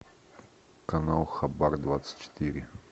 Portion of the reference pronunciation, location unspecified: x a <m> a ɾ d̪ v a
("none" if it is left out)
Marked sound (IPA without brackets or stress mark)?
b